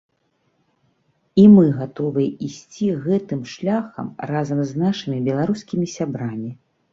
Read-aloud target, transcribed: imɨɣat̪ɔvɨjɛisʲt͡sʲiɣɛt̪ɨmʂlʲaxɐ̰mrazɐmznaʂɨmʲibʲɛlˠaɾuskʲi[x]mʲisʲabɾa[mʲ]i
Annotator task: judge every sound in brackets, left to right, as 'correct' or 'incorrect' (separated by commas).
incorrect, correct